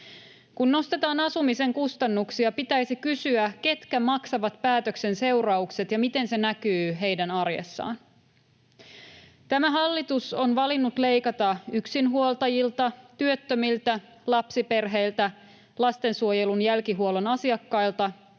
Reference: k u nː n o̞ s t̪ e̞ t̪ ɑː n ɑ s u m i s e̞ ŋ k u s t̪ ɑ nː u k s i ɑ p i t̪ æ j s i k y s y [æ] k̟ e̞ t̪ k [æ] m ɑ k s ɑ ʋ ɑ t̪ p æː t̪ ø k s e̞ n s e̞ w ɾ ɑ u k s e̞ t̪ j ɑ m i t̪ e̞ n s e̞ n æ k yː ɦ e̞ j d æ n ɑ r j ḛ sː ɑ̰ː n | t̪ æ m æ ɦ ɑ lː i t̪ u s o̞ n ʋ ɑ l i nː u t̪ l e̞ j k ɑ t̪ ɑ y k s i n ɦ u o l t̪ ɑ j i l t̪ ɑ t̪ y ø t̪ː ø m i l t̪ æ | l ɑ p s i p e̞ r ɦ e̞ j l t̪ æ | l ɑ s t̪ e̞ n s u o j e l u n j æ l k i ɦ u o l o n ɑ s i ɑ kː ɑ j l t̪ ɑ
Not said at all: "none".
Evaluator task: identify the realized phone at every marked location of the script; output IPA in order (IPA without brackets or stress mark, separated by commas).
æ, æ